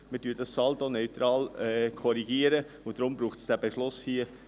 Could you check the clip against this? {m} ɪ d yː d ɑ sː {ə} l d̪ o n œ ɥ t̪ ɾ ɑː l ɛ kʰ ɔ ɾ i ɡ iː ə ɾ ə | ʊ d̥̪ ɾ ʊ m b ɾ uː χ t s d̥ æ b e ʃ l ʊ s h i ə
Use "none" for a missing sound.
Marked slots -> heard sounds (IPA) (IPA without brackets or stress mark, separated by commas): m, ɑ